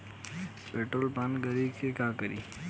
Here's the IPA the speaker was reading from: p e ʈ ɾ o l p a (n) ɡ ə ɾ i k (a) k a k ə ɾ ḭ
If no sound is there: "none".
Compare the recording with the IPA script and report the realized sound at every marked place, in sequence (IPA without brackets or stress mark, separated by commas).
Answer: n, e